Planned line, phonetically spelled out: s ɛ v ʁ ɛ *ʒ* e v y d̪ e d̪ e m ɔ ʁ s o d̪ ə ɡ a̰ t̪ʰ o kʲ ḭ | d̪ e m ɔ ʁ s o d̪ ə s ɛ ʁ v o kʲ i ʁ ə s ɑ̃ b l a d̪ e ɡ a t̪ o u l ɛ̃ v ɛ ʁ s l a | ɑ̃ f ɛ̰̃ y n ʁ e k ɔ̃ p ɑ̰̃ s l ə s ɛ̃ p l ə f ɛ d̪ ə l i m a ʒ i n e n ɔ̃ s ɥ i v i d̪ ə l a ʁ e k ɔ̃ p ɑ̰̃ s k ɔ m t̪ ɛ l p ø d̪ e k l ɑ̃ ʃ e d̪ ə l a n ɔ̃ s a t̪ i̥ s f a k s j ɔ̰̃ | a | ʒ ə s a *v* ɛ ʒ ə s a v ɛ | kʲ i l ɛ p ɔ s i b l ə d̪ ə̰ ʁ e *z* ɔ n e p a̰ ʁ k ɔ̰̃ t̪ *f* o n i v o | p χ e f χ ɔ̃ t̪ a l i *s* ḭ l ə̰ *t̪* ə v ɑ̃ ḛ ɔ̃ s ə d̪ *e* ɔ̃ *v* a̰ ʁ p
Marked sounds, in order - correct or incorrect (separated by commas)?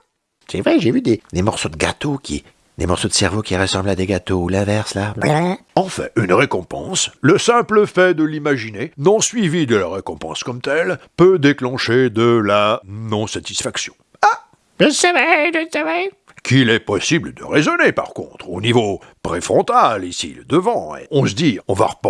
correct, correct, correct, incorrect, correct, incorrect, incorrect, correct